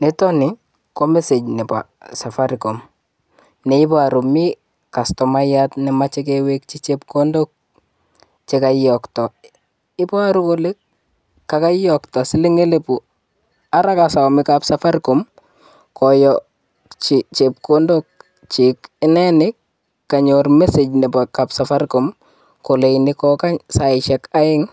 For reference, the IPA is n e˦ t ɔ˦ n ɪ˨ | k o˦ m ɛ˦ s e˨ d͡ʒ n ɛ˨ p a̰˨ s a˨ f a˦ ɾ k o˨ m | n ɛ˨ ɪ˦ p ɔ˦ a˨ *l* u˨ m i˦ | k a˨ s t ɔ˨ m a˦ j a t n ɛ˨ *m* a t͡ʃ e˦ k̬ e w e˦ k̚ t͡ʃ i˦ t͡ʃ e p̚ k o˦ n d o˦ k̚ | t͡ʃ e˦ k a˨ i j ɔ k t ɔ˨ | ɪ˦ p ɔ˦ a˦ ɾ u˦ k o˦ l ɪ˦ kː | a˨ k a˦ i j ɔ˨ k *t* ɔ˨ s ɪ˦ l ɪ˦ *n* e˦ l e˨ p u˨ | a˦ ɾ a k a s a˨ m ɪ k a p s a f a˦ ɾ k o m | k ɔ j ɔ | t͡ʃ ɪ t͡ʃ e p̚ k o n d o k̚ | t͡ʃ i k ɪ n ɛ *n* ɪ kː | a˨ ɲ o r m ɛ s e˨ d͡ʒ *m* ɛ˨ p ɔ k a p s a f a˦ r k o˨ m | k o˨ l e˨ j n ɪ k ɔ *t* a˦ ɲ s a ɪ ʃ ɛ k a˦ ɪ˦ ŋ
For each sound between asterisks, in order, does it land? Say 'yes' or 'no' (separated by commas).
no, yes, yes, no, yes, no, no